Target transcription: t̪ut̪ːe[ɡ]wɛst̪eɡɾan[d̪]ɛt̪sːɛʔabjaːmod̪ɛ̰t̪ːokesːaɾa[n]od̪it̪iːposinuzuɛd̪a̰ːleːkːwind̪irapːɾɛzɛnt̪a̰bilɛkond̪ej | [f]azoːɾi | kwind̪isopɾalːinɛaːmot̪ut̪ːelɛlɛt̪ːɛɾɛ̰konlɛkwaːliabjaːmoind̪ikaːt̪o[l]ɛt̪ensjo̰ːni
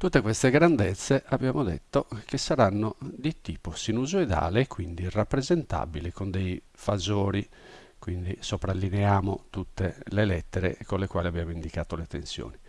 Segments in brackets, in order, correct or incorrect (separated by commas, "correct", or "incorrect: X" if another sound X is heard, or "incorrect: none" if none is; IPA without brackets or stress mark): incorrect: k, correct, incorrect: nː, correct, correct